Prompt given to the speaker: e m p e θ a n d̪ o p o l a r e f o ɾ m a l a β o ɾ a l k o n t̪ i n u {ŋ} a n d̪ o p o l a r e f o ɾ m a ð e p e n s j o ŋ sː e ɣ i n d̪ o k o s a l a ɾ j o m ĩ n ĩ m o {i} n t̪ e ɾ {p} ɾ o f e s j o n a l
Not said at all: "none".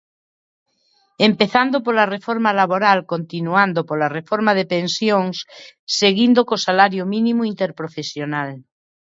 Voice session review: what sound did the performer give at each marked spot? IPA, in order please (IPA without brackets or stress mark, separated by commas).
none, i, p